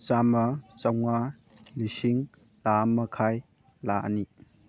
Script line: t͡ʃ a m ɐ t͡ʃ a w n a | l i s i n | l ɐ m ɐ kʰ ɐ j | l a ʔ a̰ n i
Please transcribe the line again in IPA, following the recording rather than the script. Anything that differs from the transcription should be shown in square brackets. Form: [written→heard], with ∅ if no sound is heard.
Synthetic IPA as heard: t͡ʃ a m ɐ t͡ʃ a w [n→ŋ] a | l i s i [n→ŋ] | l [ɐ→a] m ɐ kʰ [ɐ→a] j | l a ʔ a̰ n i